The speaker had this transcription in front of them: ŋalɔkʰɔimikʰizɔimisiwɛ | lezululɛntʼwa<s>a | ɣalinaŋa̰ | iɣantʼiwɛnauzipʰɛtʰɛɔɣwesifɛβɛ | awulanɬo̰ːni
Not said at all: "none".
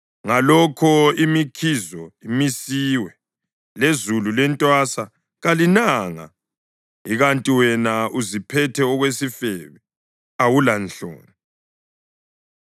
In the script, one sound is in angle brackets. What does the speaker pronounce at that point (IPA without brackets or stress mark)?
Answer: s